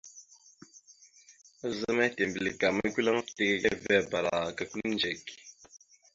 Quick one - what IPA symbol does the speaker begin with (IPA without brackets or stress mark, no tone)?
z